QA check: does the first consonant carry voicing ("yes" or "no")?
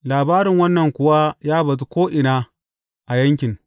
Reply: yes